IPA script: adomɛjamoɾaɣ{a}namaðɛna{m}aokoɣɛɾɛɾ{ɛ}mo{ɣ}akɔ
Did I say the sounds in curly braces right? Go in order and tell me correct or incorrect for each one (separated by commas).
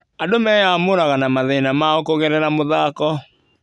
correct, correct, incorrect, incorrect